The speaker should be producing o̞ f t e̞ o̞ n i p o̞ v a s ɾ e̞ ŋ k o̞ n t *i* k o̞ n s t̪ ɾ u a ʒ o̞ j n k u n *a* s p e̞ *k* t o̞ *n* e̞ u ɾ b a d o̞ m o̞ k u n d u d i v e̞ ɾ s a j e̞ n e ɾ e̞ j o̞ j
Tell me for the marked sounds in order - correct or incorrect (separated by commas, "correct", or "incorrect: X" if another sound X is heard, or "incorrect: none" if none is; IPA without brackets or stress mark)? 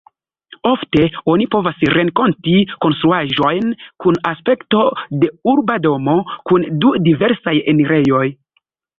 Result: correct, correct, correct, incorrect: d